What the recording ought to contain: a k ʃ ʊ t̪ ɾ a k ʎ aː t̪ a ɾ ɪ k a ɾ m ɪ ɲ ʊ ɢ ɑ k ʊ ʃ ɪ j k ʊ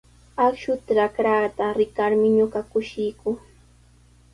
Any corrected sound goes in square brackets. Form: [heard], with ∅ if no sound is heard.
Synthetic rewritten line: a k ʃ ʊ t̪ ɾ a k [ɾ] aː t̪ a ɾ ɪ k a ɾ m ɪ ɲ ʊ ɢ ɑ k ʊ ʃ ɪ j k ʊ